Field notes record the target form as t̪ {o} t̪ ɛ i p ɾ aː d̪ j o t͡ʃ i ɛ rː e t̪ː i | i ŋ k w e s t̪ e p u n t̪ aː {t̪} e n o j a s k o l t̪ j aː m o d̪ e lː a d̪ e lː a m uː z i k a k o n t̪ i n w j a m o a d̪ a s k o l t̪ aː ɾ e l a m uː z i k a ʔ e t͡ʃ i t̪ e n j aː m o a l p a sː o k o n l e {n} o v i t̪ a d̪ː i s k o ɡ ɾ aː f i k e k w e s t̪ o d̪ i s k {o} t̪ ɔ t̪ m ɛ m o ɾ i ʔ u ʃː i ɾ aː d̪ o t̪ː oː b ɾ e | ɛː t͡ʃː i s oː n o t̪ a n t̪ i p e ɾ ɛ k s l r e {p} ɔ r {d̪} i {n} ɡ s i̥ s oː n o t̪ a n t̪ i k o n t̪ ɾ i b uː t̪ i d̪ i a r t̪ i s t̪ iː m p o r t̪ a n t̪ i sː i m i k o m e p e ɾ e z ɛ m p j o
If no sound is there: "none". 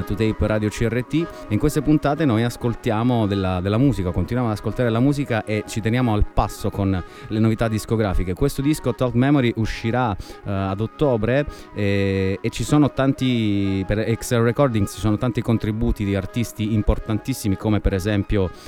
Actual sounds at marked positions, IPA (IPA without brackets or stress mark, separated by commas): u, t̪, n, o, k, d̪, ŋ